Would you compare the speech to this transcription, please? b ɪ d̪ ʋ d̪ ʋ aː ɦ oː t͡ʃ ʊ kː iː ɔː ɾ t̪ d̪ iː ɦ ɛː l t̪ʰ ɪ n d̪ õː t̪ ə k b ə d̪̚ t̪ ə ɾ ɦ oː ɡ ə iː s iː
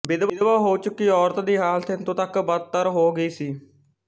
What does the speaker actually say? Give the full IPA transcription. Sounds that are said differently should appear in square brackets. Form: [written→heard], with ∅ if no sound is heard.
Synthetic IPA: b ɪ d̪ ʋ d̪ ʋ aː ɦ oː t͡ʃ ʊ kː iː ɔː ɾ t̪ d̪ iː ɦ [ɛː→aː] l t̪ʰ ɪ n [d̪→t̪] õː t̪ ə k b ə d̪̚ t̪ ə ɾ ɦ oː ɡ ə iː s iː